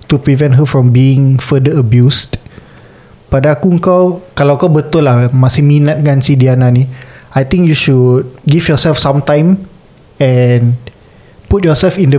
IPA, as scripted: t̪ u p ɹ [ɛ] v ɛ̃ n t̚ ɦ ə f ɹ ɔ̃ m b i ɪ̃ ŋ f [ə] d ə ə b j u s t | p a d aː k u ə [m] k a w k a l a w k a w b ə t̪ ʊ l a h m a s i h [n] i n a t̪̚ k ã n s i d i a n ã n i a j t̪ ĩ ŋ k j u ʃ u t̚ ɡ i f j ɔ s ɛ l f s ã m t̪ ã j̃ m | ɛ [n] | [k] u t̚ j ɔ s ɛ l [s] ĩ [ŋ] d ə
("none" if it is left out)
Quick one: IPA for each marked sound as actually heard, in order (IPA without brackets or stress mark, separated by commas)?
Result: i, ə, ŋ, m, n, p, f, n